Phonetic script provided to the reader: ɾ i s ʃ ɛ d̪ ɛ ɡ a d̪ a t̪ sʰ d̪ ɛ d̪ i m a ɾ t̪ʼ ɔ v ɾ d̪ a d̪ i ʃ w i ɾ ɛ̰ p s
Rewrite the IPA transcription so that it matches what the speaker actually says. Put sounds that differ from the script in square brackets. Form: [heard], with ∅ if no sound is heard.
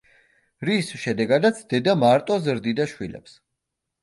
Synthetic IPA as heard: ɾ i s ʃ ɛ d̪ ɛ ɡ a d̪ a t̪ sʰ d̪ ɛ d̪ [a] m a ɾ t̪ʼ ɔ [z] ɾ d̪ [i] d̪ [a] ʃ w i [l] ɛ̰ p s